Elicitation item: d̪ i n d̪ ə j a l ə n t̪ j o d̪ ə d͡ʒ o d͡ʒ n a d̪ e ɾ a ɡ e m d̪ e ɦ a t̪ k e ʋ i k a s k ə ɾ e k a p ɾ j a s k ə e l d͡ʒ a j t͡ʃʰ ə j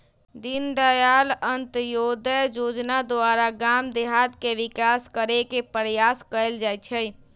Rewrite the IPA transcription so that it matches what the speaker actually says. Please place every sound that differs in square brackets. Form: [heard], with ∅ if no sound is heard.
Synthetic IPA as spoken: d̪ i n d̪ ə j a l ə n t̪ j o d̪ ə d͡ʒ o d͡ʒ n a d̪ [a] ɾ a ɡ [a] m d̪ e ɦ a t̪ k e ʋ i k a s k ə ɾ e k [e] p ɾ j a s k ə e l d͡ʒ a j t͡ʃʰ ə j